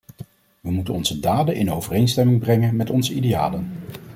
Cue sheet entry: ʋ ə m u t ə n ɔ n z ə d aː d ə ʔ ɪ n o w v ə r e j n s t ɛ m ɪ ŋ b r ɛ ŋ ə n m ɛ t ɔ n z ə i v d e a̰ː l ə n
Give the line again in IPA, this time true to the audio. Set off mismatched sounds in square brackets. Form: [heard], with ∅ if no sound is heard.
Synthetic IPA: ʋ ə m u t ə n ɔ n z ə d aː d ə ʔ ɪ n o w v ə r e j n s t ɛ m ɪ ŋ b r ɛ ŋ ə n m ɛ t ɔ n z ə i [∅] d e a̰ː l ə n

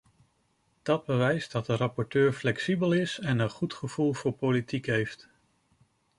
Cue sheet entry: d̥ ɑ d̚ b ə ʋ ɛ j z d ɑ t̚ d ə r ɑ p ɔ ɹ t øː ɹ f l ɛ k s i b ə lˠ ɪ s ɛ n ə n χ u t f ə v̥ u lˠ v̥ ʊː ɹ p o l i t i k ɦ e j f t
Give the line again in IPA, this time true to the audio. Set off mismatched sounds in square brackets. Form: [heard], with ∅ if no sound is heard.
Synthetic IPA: d̥ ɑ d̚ b ə ʋ ɛ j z d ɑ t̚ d ə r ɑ p ɔ ɹ t øː ɹ f l ɛ k s i b ə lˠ ɪ s ɛ n ə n χ u t [χ] ə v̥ u lˠ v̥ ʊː ɹ p o l i t i k ɦ e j f t

